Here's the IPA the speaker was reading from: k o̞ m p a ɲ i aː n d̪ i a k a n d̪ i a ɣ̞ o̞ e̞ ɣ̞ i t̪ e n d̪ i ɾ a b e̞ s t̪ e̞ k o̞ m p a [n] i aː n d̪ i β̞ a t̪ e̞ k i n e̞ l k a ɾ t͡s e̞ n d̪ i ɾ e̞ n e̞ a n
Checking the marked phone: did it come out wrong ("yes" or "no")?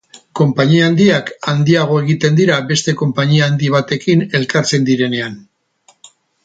yes